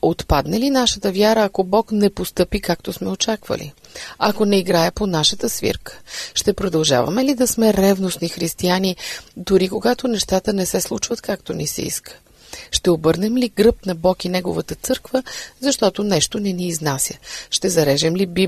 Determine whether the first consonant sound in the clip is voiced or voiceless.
voiceless